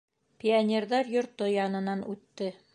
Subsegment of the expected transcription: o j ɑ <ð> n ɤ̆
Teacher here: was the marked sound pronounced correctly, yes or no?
no